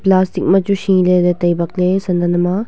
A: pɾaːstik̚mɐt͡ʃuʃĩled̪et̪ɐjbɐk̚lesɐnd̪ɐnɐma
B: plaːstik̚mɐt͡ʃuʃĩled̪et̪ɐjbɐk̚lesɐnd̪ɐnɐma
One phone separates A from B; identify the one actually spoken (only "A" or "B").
B